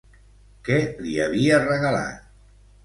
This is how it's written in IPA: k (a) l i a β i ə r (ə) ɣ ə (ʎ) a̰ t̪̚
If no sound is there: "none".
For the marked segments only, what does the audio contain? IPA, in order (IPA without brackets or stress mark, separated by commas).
ɛ, ə, l